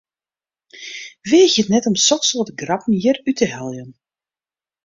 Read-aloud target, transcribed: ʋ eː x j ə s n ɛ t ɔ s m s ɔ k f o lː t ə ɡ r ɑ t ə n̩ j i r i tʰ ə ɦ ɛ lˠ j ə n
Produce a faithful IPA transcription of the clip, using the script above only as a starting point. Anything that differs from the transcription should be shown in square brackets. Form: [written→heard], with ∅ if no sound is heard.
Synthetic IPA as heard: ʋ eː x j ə [s→t] n ɛ t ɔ [s→∅] m s ɔ k [f→s] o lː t ə ɡ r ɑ [t→p] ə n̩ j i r [i→y] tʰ ə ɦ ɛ lˠ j ə n